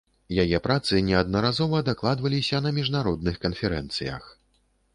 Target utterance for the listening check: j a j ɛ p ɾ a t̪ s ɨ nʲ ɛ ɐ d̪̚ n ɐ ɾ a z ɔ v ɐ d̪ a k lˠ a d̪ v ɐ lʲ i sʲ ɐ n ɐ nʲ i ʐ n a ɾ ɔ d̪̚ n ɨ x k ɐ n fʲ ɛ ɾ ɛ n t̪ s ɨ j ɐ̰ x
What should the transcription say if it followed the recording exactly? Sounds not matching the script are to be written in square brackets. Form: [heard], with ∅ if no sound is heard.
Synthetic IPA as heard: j a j ɛ p ɾ a t̪ s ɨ nʲ ɛ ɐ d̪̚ n ɐ ɾ a z ɔ v ɐ d̪ a k lˠ a d̪ v ɐ lʲ i sʲ ɐ n ɐ [mʲ] i ʐ n a ɾ ɔ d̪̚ n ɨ x k ɐ n fʲ ɛ ɾ ɛ n t̪ s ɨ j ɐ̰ x